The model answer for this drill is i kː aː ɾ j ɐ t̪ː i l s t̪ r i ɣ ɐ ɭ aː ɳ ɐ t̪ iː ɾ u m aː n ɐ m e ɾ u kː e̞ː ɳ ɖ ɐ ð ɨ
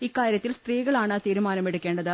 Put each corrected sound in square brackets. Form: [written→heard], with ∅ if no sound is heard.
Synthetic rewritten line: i kː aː ɾ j ɐ t̪ː i l s t̪ r [i→iː] ɣ ɐ ɭ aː ɳ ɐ t̪ iː ɾ u m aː n ɐ m e [ɾ→ɽ] u kː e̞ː ɳ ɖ ɐ ð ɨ